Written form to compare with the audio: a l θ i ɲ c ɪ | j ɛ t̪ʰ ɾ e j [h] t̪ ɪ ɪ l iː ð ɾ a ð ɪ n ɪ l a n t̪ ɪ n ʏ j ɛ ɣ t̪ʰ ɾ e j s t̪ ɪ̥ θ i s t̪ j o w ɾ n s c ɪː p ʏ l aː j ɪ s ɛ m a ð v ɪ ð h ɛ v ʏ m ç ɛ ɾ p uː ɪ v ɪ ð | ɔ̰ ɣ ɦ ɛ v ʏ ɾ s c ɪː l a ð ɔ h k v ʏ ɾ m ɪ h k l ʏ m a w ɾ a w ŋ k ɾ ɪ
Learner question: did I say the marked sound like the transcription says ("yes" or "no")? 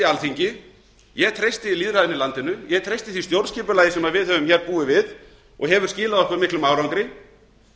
no